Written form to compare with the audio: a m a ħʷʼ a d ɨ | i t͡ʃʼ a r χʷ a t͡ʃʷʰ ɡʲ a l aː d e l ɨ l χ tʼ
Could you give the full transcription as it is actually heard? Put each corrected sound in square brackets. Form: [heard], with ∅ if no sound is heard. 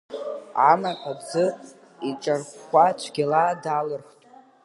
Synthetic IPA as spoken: a m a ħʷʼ a [d͡z] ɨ | i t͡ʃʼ a r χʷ a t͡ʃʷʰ ɡʲ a l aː d [a] l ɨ [r] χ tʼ